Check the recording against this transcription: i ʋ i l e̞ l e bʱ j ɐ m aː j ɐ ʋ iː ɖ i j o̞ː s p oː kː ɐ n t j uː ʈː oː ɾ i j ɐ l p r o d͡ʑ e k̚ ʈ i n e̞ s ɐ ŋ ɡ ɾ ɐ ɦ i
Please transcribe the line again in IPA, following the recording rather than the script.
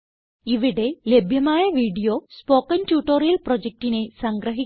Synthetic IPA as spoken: i ʋ i ɽ e̞ l e bʱ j ɐ m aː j ɐ ʋ iː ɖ i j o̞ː s p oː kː ɐ n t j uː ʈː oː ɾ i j ɐ l p r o d͡ʑ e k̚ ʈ i n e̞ s ɐ ŋ ɡ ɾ ɐ ɦ i